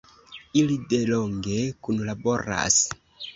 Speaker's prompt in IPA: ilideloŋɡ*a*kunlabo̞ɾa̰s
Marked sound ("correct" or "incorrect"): incorrect